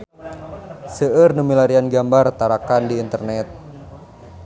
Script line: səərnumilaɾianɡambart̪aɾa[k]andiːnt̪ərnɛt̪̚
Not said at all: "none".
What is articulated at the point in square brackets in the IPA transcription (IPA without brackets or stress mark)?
k